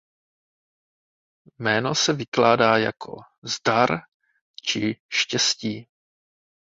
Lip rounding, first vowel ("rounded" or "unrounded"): unrounded